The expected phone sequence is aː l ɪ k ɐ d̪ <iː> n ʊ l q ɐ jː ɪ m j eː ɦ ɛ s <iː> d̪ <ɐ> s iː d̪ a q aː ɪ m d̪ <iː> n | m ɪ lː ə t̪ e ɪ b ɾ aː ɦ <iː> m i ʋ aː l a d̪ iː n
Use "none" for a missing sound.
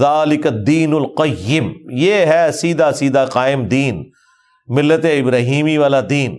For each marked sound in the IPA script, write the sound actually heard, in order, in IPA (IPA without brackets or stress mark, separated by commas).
iː, iː, a, iː, iː